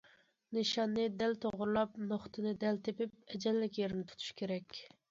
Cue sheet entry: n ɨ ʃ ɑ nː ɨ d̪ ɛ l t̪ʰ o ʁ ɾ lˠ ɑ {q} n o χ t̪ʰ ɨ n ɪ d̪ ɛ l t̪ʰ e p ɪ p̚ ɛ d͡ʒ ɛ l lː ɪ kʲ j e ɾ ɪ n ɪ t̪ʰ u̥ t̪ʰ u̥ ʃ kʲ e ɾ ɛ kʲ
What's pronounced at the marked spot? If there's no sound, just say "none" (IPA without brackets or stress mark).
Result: p